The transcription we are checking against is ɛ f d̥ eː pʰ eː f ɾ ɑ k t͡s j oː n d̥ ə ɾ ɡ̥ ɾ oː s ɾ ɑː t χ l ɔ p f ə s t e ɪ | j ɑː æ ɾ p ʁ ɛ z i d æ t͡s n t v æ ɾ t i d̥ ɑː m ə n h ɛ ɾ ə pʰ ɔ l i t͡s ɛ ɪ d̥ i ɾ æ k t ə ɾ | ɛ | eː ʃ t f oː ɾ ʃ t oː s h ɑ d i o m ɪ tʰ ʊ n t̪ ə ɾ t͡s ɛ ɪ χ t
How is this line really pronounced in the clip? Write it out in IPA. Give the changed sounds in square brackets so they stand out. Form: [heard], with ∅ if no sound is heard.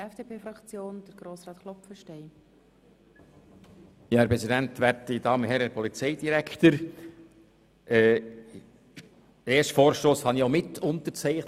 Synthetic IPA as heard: ɛ f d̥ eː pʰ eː f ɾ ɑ k t͡s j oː n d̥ ə ɾ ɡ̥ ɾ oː s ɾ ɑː t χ l ɔ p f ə [ʃ] t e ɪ | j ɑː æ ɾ p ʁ ɛ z i d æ [∅] n t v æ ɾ t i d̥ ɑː m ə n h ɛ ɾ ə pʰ ɔ l i t͡s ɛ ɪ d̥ i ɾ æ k t ə ɾ | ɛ | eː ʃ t f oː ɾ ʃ t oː s h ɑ [n] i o m ɪ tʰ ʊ n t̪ ə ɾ t͡s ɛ ɪ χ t